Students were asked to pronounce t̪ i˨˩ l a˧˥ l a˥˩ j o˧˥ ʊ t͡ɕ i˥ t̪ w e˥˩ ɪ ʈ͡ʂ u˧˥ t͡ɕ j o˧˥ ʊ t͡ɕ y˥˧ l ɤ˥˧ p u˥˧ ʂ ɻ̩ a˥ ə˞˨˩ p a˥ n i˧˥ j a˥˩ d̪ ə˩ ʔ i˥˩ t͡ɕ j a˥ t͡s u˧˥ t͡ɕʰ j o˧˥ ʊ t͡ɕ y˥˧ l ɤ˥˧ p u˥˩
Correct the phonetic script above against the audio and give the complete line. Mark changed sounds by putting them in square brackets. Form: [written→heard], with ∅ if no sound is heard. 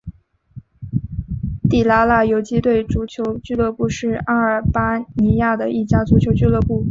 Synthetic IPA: t̪ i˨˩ l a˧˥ l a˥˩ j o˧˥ ʊ t͡ɕ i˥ t̪ w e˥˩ ɪ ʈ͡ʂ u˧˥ [t͡ɕ→t͡ɕʰ] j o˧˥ ʊ t͡ɕ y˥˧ l ɤ˥˧ p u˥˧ ʂ ɻ̩ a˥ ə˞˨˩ p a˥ n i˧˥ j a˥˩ d̪ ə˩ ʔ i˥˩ t͡ɕ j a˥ t͡s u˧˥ t͡ɕʰ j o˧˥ ʊ t͡ɕ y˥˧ l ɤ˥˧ p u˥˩